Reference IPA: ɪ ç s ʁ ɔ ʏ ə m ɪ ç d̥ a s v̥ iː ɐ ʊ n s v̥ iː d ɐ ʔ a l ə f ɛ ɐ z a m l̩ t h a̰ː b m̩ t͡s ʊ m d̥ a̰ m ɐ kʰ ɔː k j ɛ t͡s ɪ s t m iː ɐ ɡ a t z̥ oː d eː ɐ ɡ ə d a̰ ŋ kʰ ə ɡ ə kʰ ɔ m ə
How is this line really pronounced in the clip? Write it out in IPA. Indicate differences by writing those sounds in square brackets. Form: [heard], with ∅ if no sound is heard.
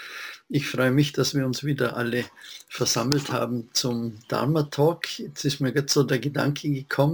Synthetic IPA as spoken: ɪ ç [f] ʁ ɔ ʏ ə m ɪ ç d̥ a s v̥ iː ɐ ʊ n s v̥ iː d ɐ ʔ a l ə f ɛ ɐ z a m l̩ t h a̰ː b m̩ t͡s ʊ m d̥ a̰ m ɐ [tʰ] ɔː k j ɛ t͡s ɪ s t m iː ɐ ɡ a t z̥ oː d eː ɐ ɡ ə d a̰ ŋ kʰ ə ɡ ə kʰ ɔ m ə